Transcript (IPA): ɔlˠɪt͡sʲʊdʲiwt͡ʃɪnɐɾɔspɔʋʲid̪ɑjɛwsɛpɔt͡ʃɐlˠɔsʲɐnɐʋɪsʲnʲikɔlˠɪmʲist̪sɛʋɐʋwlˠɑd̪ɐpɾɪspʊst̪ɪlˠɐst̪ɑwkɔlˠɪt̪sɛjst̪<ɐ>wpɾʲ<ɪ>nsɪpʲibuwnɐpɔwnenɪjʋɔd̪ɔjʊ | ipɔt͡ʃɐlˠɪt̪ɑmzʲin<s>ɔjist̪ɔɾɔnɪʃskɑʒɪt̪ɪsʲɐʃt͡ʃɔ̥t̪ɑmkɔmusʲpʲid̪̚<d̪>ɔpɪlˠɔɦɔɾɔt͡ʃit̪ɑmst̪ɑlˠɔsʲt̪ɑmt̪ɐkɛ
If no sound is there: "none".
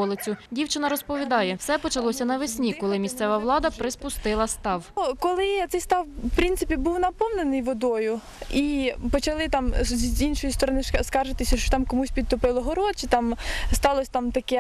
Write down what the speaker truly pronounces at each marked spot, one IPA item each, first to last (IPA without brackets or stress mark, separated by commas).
ɑ, i, ʃ, t̪